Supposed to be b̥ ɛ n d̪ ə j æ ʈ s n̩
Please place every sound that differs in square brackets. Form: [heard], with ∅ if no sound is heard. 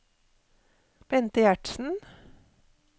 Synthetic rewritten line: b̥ ɛ n [t̪] ə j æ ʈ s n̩